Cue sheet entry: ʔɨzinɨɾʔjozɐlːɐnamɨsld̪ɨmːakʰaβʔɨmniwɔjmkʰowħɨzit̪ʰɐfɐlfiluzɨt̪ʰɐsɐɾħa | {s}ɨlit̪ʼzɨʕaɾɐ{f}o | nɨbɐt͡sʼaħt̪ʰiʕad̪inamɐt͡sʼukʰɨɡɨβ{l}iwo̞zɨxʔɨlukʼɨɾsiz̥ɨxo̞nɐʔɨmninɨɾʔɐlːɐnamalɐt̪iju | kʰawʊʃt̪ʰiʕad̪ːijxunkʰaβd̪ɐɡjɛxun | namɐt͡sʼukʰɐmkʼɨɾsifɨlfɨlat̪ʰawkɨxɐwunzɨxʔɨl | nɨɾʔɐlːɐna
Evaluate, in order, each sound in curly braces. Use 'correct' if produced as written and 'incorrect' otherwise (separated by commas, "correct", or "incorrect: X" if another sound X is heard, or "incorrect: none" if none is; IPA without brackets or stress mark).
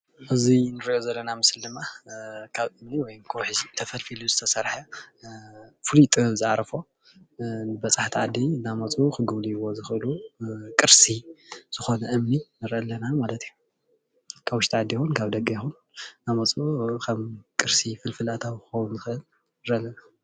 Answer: incorrect: f, correct, correct